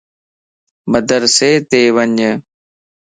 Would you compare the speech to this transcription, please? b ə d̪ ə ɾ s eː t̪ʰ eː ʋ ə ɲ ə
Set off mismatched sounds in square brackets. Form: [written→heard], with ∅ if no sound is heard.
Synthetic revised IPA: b ə d̪ ə ɾ s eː [t̪ʰ→t̪] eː ʋ ə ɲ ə